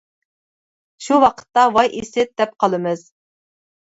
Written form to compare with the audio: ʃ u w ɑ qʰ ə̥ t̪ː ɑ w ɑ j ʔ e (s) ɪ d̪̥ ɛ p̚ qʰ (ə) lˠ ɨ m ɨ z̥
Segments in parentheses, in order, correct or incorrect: correct, incorrect: ɑ

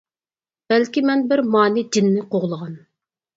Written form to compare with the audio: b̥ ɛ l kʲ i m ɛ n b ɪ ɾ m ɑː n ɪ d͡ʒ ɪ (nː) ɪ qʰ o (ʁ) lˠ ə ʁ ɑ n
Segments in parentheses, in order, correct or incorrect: correct, correct

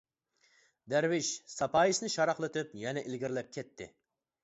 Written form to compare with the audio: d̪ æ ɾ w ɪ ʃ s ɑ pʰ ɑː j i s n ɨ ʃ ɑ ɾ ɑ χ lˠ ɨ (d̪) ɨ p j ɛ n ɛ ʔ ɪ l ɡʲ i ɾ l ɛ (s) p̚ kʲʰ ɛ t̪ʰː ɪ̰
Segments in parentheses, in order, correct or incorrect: incorrect: t̪, incorrect: none

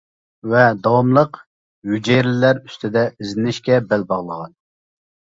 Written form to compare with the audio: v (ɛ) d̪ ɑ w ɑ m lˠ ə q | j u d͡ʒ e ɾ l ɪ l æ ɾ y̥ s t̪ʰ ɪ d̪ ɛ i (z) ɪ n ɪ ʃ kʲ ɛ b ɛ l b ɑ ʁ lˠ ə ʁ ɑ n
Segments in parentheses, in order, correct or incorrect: correct, correct

